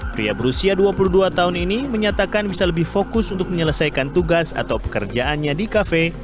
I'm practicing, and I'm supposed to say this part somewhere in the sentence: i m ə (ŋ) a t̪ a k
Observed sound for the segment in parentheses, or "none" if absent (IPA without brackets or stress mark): ɲ